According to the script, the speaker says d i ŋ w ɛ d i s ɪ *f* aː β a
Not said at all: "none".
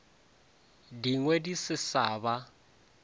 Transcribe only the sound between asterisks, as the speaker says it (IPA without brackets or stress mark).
s